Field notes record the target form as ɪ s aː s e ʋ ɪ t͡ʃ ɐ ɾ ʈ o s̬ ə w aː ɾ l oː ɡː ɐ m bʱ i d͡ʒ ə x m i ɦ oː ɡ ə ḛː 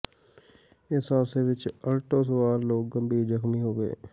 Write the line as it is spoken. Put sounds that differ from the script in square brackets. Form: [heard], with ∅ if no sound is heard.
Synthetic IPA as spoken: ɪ s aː s e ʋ ɪ t͡ʃ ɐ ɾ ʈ o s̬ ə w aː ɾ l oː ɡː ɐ m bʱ i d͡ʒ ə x m i ɦ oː ɡ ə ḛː